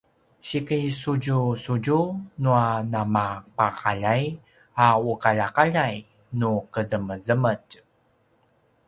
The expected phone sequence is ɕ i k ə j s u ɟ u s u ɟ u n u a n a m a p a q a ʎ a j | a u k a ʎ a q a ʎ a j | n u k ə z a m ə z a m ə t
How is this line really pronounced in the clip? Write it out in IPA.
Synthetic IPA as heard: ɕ i k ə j s u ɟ u s u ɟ u n u a n a m a p a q a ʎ a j | a u k a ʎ a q a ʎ a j | n u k ə z ə m ə z ə m ə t